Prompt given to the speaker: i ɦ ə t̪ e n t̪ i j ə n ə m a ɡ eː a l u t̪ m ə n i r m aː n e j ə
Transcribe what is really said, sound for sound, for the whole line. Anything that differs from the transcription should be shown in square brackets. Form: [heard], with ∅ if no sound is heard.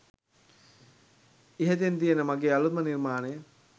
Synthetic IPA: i ɦ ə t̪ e n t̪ i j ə n ə m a ɡ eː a l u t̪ m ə n i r m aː n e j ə